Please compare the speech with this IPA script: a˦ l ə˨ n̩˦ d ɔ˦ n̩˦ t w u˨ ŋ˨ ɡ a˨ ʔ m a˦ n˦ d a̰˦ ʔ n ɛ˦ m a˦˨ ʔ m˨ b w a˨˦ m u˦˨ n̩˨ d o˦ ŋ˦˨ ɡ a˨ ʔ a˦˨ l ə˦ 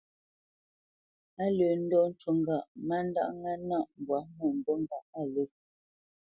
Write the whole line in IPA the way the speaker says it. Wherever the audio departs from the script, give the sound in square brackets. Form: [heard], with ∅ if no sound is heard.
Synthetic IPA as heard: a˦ l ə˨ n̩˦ d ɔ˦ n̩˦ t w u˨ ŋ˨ ɡ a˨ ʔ m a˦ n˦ d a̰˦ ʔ [ŋ] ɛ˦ [n] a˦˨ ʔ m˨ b w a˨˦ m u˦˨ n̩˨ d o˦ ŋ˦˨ ɡ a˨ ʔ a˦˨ l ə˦